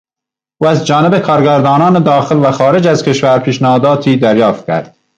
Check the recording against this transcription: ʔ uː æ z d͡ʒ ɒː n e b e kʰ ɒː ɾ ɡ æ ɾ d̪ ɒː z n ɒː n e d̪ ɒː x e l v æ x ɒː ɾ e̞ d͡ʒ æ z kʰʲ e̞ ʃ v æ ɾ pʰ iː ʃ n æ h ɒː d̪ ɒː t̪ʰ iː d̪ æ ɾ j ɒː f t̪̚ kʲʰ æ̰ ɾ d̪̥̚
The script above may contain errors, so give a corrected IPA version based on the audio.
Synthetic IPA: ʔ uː æ z d͡ʒ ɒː n e b e kʰ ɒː ɾ ɡ æ ɾ d̪ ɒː n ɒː n e d̪ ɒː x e l v æ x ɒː ɾ e̞ d͡ʒ æ z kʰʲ e̞ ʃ v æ ɾ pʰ iː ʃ n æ h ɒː d̪ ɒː t̪ʰ iː d̪ æ ɾ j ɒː f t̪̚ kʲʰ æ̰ ɾ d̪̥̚